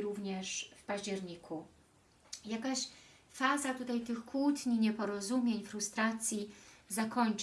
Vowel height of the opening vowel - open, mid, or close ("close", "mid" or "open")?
close